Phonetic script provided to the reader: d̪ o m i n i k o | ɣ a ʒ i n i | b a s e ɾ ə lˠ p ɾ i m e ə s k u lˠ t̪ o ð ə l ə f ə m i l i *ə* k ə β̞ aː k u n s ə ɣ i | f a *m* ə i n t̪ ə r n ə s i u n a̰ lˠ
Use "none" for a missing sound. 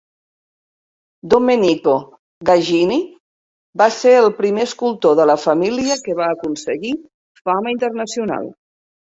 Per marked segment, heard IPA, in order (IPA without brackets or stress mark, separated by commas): ə, m